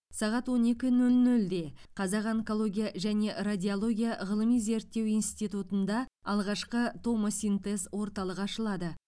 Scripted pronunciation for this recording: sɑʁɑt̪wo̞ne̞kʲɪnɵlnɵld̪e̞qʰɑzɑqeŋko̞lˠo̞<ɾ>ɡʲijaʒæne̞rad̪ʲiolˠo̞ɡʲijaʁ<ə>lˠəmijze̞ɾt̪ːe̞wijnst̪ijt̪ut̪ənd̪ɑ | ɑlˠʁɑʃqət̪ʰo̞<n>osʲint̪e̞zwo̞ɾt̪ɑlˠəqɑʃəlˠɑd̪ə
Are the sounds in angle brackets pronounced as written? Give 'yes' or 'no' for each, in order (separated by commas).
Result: no, yes, no